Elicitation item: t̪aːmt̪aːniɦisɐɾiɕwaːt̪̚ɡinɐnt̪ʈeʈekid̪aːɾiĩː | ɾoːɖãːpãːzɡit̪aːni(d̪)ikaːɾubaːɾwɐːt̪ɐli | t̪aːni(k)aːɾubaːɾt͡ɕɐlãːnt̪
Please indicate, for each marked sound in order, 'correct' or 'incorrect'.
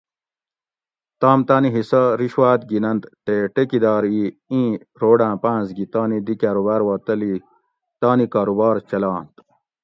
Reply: correct, correct

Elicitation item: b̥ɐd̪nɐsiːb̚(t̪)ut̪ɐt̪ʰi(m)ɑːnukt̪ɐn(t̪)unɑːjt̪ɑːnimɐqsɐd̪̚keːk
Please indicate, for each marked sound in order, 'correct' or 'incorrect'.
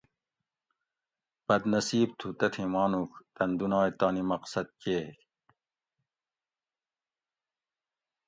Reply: incorrect, correct, incorrect

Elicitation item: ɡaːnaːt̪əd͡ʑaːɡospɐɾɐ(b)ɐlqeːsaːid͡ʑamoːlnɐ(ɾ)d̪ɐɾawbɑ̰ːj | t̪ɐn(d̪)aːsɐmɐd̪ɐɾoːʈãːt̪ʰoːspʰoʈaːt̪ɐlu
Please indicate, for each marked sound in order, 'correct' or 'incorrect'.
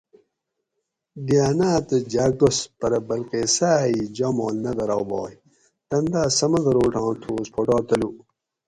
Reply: correct, incorrect, correct

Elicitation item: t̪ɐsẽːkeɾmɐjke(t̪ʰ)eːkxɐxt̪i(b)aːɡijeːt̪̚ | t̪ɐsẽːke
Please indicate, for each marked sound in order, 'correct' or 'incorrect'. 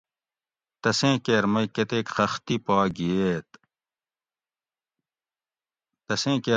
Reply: incorrect, incorrect

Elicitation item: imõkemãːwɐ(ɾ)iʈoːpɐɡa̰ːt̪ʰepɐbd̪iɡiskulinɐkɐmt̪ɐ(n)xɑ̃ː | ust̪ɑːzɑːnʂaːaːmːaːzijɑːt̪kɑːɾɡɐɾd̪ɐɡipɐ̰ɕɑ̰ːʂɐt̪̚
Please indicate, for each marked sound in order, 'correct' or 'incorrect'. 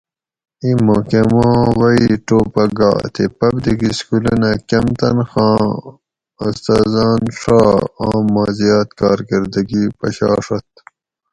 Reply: incorrect, correct

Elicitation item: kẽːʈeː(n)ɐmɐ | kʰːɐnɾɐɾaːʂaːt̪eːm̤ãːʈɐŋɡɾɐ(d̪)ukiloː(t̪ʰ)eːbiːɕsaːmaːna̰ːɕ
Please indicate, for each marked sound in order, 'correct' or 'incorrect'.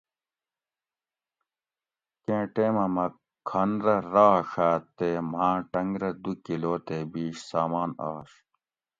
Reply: incorrect, correct, incorrect

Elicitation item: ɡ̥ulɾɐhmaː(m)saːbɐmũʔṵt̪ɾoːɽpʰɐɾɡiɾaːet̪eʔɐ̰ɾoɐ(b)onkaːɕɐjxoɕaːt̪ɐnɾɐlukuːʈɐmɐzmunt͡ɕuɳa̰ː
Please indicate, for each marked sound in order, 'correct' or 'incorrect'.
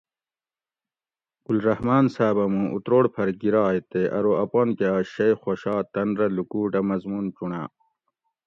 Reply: incorrect, incorrect

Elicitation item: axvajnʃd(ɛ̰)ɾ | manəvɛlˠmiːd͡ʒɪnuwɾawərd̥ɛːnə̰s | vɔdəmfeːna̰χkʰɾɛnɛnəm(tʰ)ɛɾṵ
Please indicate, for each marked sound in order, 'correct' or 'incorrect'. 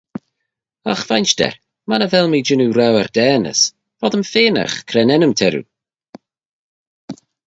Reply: correct, correct

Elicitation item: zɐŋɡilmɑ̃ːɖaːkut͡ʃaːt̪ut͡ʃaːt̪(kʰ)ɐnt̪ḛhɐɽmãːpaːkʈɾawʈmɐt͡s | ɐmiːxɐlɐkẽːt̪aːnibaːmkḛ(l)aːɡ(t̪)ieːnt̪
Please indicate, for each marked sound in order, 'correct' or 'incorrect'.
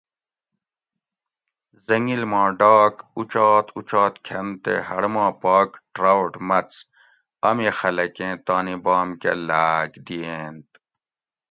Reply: correct, correct, incorrect

